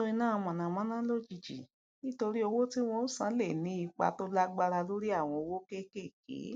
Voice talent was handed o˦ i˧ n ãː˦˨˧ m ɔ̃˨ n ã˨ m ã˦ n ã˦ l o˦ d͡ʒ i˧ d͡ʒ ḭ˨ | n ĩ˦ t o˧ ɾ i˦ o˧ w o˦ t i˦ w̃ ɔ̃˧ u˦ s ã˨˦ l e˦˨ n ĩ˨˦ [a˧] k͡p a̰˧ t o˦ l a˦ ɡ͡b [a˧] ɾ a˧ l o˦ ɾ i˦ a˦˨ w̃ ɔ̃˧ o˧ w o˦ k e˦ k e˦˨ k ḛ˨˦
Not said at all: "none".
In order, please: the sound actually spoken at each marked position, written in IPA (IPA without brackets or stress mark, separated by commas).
i˧, a˧